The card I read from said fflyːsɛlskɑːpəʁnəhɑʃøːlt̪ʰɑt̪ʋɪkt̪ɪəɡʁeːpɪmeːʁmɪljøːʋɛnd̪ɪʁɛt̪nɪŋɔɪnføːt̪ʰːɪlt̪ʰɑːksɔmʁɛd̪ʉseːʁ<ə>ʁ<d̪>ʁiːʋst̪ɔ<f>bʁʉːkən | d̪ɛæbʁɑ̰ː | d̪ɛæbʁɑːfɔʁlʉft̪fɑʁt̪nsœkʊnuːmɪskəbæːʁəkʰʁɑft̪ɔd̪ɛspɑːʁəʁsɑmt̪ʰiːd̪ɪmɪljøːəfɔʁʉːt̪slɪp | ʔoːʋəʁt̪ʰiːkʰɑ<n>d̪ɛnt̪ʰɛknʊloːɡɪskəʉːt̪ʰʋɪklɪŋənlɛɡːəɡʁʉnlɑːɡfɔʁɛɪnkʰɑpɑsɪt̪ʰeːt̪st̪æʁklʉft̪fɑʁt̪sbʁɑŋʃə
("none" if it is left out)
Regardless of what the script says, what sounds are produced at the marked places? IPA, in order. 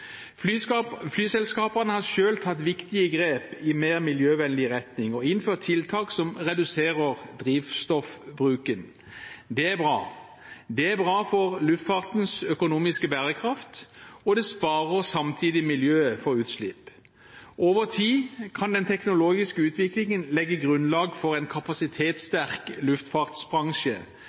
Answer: ə, d̪, f, n

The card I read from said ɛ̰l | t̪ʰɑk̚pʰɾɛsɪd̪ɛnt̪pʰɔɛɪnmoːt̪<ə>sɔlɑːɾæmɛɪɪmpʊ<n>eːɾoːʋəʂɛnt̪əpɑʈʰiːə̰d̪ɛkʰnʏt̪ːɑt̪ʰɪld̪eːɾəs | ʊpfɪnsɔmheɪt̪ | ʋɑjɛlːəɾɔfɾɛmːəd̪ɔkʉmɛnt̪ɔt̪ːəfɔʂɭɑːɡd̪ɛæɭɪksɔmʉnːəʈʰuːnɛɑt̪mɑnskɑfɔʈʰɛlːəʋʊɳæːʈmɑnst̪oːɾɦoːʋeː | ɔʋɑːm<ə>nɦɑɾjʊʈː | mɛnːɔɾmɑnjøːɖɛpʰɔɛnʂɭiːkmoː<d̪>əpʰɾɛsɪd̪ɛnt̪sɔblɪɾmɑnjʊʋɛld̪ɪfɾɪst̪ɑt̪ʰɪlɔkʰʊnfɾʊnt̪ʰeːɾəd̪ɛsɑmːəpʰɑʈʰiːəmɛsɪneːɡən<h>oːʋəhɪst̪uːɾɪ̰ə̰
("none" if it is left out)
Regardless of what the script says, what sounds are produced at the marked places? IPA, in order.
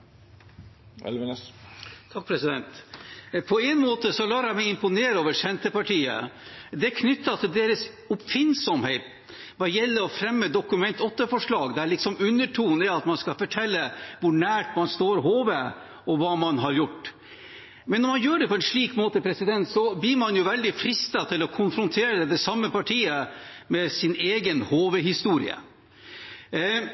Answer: ə, n, ɑ, t̪, h

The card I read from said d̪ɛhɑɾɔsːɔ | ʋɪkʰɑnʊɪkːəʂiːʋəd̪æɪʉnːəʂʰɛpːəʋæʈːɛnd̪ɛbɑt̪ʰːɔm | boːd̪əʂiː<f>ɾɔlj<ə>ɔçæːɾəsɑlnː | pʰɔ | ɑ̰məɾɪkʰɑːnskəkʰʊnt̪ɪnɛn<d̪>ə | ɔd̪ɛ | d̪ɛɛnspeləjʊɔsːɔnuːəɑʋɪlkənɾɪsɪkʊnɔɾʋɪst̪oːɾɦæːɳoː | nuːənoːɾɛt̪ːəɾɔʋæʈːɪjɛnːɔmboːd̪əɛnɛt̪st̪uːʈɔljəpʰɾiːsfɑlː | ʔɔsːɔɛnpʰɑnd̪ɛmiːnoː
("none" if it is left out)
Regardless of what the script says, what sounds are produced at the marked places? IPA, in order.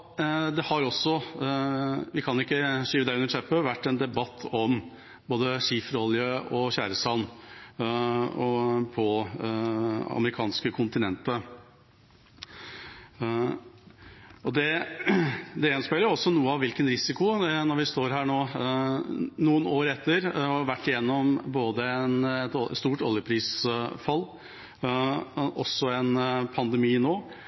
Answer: f, ə, t̪

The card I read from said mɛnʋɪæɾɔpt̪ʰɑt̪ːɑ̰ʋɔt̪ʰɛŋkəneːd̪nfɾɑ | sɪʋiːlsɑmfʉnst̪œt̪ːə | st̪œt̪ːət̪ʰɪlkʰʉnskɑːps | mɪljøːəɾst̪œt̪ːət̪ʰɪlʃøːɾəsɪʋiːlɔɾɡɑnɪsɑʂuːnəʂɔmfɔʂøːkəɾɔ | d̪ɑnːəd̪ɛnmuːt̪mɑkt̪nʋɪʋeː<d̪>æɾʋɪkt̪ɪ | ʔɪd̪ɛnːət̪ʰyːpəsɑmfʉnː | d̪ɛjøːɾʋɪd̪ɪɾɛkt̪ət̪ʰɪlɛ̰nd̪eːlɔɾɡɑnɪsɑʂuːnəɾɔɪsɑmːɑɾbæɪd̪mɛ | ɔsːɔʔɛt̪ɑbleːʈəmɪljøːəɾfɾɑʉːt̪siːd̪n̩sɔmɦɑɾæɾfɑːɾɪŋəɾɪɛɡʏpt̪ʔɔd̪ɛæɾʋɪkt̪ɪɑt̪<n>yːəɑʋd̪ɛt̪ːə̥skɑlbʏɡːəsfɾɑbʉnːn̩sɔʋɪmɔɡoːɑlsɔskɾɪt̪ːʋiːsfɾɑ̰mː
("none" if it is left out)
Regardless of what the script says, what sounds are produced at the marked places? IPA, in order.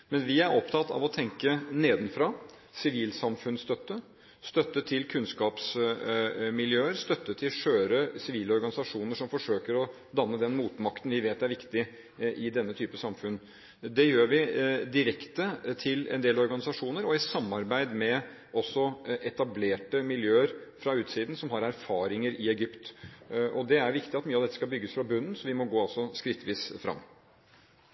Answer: t̪, m

